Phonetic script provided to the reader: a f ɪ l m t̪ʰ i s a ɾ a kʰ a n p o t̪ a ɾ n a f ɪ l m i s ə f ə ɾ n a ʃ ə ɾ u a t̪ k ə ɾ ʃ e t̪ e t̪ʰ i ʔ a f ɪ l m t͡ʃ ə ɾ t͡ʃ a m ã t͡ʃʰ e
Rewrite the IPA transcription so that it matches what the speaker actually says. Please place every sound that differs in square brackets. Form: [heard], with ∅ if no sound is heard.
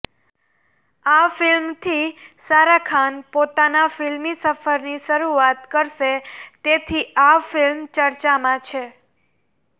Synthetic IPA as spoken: a f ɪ l m t̪ʰ i s a ɾ a kʰ a n p o t̪ a [∅] n a f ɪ l m i s ə f ə ɾ n [i] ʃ ə ɾ u a t̪ k ə ɾ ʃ e t̪ e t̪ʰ i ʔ a f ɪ l m t͡ʃ ə ɾ t͡ʃ a m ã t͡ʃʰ e